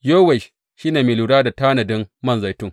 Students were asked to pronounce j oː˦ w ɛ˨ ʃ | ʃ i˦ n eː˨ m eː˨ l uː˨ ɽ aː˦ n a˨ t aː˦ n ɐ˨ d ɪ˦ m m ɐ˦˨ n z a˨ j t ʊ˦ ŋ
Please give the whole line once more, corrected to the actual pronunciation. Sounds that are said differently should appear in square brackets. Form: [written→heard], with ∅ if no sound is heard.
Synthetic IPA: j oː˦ w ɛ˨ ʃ | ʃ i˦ n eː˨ m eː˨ l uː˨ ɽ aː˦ [n→d] a˨ t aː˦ n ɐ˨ d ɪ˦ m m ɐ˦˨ n z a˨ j t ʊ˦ ŋ